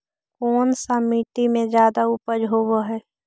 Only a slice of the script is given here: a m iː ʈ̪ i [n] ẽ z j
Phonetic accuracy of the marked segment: incorrect: m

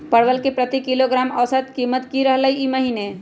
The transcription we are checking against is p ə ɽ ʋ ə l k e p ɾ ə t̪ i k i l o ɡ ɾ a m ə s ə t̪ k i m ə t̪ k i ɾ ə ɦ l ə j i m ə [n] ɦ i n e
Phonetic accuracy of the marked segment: incorrect: none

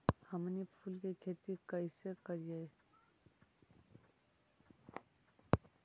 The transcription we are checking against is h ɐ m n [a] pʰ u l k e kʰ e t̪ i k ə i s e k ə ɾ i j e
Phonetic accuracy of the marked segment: incorrect: i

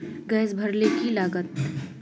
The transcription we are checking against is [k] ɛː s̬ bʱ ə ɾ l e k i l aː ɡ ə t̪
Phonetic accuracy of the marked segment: incorrect: ɡ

